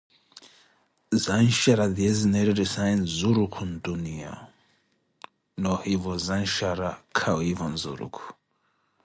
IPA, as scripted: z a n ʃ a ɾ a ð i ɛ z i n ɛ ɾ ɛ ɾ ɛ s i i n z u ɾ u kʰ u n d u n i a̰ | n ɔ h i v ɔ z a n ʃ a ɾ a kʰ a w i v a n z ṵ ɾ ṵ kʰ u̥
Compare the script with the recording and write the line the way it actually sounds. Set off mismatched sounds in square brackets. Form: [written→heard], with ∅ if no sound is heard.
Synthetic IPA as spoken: z a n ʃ a ɾ a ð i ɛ z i n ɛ ɾ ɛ ɾ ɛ s [i→a] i n z u ɾ u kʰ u n d u n i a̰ | n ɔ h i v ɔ z a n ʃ a ɾ a kʰ a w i v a n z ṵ ɾ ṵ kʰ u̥